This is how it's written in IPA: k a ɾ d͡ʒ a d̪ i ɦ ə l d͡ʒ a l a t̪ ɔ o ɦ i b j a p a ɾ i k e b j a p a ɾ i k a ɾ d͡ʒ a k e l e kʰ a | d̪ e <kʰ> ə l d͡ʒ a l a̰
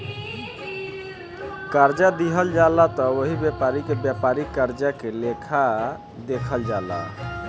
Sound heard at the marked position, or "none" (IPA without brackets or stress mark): kʰ